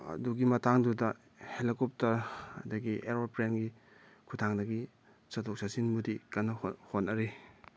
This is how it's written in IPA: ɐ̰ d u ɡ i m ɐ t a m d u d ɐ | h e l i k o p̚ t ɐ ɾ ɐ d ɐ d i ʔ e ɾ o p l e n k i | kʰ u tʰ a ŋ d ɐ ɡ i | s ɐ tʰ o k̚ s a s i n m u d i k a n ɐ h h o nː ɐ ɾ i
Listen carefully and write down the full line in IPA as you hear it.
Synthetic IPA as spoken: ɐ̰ d u ɡ i m ɐ t a ŋ d u d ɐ | h e l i k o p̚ t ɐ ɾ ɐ d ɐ ɡ i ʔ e ɾ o p ɾ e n ɡ i | kʰ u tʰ a ŋ d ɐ ɡ i | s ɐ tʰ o k̚ s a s i n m u d i k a n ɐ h h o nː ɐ ɾ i